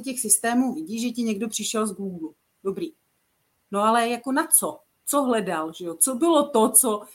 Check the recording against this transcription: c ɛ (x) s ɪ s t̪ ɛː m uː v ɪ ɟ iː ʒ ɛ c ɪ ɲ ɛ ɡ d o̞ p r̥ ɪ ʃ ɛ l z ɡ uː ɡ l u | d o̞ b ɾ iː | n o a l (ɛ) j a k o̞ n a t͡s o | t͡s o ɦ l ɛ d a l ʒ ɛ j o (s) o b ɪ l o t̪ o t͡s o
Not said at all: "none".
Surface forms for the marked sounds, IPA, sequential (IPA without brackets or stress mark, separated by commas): x, ɛ, t͡s